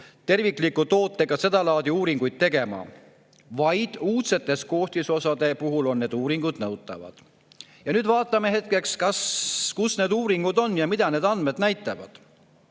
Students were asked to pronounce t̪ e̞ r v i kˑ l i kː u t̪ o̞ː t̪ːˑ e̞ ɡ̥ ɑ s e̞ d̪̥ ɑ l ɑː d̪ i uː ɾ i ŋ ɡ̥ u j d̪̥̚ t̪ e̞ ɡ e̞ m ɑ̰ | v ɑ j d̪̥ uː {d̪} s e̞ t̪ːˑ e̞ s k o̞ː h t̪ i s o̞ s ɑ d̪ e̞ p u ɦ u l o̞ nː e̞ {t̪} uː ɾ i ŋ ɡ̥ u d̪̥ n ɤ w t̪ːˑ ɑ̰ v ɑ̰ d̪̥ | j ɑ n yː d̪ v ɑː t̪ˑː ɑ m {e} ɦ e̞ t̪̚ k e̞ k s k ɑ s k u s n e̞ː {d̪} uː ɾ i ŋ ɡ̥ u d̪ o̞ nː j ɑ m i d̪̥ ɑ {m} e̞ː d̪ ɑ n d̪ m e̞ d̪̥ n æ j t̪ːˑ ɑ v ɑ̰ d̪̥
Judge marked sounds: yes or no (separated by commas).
no, no, yes, yes, no